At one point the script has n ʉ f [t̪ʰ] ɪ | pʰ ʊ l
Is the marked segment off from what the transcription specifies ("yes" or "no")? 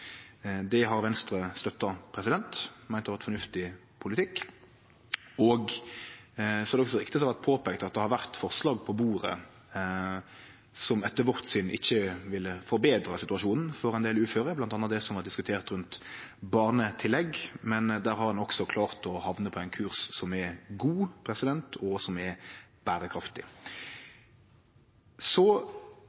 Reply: yes